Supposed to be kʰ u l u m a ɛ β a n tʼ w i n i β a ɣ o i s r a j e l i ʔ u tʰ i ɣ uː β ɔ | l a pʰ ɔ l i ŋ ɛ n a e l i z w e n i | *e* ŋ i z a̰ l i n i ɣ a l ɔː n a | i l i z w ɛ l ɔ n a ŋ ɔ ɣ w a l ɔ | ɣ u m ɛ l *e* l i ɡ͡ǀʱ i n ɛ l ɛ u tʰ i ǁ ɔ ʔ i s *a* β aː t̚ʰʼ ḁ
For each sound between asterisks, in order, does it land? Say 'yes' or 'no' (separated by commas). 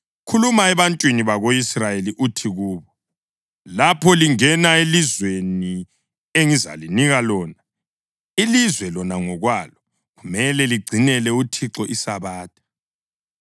yes, no, yes